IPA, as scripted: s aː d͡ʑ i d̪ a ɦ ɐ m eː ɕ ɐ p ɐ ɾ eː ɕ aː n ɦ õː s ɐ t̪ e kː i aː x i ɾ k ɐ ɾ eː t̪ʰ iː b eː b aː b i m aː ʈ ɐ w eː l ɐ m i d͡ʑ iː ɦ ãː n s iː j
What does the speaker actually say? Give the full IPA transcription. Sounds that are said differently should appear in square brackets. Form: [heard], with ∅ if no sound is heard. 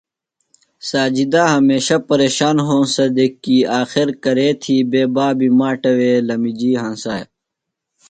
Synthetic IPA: s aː d͡ʑ i d̪ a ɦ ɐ m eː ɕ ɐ p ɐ ɾ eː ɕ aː n ɦ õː s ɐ [d̪] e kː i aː x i ɾ k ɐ ɾ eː t̪ʰ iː b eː b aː b i m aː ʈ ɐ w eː l ɐ m i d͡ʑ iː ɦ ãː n s [aː] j